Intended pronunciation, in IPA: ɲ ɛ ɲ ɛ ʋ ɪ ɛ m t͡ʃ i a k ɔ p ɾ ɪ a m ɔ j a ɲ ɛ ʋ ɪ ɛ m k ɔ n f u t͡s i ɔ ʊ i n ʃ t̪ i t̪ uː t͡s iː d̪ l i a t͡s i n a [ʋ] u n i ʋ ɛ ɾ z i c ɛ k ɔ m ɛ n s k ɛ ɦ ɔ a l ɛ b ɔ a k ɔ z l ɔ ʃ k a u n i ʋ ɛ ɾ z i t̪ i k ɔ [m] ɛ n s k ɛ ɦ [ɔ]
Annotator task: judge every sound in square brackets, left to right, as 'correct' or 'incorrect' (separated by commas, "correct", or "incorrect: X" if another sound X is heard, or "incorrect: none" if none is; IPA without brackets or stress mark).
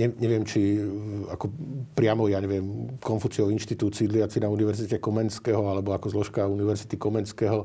incorrect: none, correct, correct